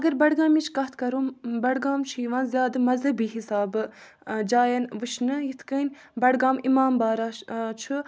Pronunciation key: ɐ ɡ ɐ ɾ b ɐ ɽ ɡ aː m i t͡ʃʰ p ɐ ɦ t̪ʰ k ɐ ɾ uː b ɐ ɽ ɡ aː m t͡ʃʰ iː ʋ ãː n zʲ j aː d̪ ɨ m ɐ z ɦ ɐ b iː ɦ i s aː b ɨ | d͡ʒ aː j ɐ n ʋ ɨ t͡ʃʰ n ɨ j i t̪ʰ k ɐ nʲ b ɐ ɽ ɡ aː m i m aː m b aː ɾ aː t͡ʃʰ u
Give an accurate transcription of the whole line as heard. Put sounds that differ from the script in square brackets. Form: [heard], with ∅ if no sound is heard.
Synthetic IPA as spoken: ɐ ɡ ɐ ɾ b ɐ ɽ ɡ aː m i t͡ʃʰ [k] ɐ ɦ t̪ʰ k ɐ ɾ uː b ɐ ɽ ɡ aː m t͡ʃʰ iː ʋ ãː n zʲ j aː d̪ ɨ m ɐ z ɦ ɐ b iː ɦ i s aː b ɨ | d͡ʒ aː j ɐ n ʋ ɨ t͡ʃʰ n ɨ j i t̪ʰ k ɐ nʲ b ɐ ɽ ɡ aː m i m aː m b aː ɾ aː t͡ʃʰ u